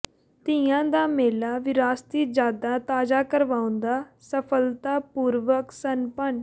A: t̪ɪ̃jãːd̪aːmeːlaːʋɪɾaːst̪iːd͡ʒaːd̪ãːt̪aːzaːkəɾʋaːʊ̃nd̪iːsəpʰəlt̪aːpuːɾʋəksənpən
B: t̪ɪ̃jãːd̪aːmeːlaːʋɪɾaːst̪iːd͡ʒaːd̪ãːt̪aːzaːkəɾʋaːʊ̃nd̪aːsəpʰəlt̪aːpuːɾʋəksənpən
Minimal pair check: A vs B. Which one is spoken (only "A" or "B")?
B